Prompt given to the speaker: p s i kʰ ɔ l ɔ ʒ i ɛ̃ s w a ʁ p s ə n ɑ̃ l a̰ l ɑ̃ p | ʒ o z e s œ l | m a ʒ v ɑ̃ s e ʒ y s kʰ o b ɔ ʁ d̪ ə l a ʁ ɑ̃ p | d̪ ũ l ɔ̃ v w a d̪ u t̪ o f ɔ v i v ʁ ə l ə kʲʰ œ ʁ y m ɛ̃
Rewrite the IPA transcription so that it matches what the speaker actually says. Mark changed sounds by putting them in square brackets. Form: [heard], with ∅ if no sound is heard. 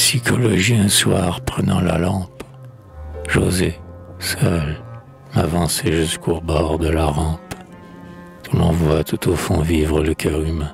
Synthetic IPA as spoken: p s i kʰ ɔ l ɔ ʒ i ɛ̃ s w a ʁ p [χ] ə n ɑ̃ l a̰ l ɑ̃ p | ʒ o z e s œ l | m a [∅] v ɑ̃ s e ʒ y s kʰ o b ɔ ʁ d̪ ə l a ʁ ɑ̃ p | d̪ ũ l ɔ̃ v w a [t̪] u t̪ o f [ɔ̃] v i v ʁ ə l ə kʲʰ œ ʁ y m ɛ̃